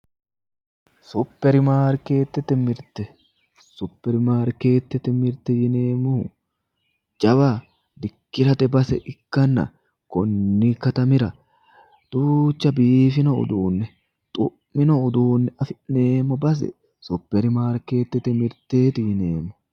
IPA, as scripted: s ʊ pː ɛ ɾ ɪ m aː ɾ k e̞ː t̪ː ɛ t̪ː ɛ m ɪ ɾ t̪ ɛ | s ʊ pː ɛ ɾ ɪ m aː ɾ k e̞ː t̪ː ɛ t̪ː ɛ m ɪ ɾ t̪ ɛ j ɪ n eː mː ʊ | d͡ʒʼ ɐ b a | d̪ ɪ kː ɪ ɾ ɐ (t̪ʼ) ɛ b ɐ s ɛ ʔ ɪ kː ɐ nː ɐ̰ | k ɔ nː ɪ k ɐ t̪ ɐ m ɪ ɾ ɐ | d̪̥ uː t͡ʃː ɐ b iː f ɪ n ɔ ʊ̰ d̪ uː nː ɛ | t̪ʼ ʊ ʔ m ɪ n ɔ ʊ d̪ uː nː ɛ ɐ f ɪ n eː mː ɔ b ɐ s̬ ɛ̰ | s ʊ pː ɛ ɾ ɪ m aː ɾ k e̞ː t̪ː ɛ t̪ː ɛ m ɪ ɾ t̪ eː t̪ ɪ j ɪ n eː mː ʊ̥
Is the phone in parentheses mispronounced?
yes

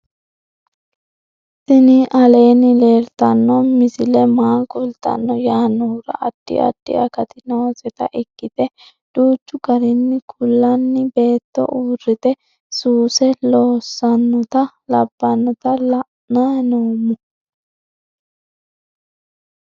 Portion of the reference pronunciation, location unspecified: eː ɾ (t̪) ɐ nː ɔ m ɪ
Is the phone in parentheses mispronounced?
no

